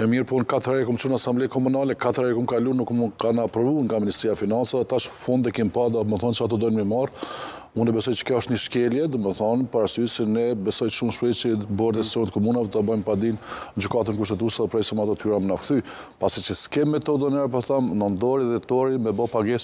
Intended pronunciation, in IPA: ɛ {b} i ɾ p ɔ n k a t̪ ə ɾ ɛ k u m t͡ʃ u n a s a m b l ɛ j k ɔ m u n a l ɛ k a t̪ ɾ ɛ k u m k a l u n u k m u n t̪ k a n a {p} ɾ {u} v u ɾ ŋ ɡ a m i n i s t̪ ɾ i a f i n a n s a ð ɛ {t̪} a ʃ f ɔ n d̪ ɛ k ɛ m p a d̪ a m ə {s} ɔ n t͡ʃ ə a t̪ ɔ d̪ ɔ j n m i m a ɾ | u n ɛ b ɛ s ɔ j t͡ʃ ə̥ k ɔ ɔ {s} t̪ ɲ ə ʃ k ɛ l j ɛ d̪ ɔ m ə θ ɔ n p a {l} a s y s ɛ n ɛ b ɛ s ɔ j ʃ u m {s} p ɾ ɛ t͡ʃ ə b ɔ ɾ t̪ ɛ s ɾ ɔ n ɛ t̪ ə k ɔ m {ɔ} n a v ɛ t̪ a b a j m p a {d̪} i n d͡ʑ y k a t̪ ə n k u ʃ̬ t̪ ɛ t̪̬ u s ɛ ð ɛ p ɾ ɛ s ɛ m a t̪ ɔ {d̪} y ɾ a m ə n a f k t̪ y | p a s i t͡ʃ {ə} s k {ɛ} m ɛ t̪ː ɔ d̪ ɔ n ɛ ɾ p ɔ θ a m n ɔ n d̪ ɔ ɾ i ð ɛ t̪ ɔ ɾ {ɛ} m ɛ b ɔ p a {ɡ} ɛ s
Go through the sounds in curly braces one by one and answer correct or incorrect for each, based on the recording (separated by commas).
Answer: incorrect, correct, incorrect, correct, incorrect, incorrect, incorrect, incorrect, incorrect, correct, incorrect, correct, correct, incorrect, correct